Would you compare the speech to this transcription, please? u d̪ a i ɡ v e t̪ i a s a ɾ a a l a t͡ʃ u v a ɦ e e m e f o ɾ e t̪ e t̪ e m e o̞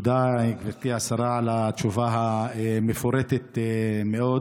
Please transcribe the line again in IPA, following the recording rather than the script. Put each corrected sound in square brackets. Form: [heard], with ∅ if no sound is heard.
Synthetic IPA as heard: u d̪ a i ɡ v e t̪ i a s a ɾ a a l a t͡ʃ u v a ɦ [a] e m e f o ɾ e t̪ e t̪ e m e o̞